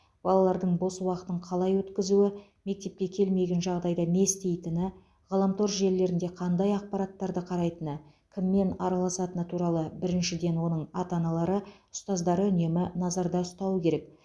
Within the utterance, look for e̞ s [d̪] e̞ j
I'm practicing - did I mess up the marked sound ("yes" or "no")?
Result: yes